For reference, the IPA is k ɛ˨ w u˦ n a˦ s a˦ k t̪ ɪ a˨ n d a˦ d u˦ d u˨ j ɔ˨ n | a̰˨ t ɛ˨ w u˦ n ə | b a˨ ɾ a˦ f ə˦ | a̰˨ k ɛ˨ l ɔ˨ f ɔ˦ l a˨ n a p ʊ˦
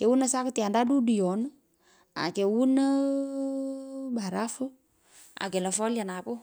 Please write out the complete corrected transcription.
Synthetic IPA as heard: k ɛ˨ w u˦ n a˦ s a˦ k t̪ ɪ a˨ n d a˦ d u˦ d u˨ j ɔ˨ n | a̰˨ k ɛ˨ w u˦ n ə | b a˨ ɾ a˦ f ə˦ | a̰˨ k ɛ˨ l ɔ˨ f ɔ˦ l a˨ n a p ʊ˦